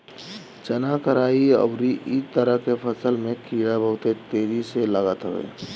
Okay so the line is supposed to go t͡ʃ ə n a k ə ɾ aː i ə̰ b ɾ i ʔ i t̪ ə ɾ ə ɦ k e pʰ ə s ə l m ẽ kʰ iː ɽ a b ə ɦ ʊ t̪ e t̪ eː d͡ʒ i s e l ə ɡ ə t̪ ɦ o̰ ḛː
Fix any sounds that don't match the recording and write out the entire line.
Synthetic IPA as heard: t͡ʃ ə n a k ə ɾ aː i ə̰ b ɾ i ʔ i t̪ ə ɾ ə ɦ k e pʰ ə s ə l m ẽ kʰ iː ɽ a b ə ɦ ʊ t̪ e t̪ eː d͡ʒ i s e l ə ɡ ə t̪ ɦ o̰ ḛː